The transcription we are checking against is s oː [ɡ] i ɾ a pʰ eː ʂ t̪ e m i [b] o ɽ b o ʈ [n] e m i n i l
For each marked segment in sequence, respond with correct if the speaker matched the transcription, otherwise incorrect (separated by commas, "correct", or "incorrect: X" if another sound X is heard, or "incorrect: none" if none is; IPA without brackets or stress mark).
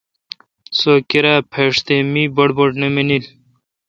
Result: incorrect: k, correct, correct